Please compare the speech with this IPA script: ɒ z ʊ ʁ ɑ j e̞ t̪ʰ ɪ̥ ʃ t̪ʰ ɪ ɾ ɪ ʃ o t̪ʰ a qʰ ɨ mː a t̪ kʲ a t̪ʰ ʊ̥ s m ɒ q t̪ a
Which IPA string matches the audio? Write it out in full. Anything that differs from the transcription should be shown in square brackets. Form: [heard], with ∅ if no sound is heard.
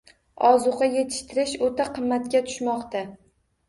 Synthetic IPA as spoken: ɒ z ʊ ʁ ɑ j e̞ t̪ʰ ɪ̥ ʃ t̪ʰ ɪ ɾ ɪ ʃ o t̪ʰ a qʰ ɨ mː a t̪ kʲ a t̪ʰ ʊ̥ [ʃ] m ɒ q t̪ a